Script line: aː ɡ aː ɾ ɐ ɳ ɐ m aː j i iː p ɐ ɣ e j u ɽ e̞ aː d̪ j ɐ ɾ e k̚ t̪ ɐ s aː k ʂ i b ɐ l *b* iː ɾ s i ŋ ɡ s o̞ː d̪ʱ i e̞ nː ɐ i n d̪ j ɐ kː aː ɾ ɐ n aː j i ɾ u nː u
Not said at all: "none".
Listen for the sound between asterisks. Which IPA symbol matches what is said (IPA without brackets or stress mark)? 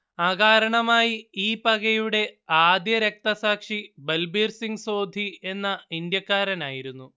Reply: b